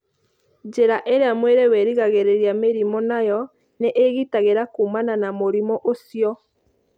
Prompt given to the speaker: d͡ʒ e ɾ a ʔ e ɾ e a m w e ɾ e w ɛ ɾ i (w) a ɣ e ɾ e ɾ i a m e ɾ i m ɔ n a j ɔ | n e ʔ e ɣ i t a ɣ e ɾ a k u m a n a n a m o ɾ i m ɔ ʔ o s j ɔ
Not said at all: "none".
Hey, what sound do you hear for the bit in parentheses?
ɣ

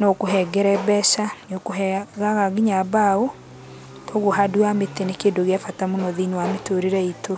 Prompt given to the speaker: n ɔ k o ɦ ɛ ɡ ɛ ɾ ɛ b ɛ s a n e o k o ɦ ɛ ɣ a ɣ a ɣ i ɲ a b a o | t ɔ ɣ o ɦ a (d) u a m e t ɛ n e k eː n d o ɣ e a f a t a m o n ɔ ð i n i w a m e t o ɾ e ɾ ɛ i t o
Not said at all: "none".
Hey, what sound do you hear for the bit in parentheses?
d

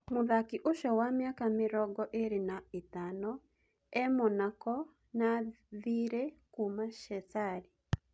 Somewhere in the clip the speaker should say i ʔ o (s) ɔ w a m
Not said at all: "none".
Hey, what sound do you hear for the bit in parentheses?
ʃ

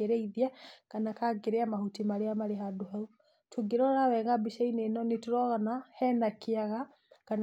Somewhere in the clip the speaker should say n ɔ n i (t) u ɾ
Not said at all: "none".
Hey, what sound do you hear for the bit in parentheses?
t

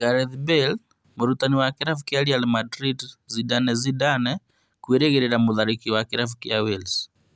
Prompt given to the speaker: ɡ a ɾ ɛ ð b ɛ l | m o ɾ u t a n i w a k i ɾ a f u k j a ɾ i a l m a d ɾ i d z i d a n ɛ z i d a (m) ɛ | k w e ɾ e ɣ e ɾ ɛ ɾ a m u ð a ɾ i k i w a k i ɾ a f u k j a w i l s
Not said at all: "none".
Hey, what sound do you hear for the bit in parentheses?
n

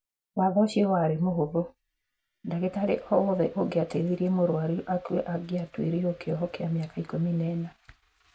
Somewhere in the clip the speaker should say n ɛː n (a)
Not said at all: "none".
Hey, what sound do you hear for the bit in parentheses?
a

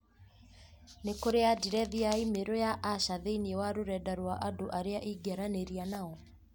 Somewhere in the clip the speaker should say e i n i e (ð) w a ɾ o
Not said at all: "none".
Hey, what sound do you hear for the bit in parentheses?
none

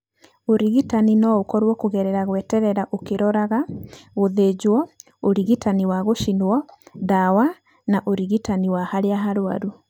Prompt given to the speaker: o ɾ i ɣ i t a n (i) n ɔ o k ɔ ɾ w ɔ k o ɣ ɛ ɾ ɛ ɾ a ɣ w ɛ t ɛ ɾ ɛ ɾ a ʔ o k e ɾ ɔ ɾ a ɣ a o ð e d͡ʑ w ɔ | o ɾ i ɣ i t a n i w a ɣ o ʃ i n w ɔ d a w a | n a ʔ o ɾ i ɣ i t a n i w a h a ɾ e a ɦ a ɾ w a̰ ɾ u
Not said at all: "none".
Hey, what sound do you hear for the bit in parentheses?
i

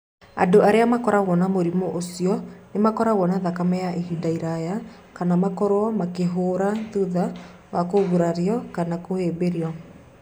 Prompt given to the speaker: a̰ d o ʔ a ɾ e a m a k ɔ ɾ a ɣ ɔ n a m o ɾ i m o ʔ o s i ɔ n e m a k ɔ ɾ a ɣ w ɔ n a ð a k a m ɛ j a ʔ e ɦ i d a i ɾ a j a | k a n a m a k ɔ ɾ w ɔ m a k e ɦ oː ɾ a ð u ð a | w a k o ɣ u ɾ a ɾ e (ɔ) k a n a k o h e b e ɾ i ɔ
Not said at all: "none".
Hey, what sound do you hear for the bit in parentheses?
ɔ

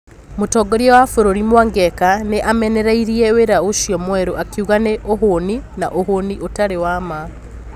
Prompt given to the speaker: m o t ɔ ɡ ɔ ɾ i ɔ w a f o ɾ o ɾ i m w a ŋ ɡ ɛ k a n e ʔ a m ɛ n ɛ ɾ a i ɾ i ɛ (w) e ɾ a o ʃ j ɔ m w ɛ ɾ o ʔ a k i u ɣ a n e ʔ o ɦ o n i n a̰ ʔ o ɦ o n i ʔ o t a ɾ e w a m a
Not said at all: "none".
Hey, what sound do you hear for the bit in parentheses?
w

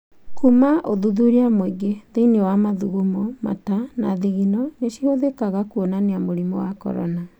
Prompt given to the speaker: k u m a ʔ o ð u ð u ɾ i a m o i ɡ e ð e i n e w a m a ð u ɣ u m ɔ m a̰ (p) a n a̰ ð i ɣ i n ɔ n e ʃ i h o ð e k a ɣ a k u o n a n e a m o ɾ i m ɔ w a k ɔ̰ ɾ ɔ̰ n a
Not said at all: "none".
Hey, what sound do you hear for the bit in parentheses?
t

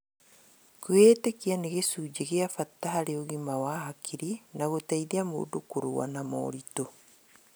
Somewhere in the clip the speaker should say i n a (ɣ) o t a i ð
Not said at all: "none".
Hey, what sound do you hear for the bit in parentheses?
ɣ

